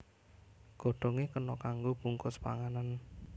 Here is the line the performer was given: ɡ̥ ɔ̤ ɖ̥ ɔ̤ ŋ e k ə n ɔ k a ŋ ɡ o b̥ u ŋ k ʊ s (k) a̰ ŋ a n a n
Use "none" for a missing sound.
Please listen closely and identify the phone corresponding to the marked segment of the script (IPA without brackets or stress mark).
p